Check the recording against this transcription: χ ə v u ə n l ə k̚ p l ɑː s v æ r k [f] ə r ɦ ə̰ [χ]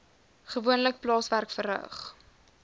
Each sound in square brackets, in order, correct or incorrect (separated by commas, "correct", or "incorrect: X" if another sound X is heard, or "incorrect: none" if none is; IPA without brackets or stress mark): correct, correct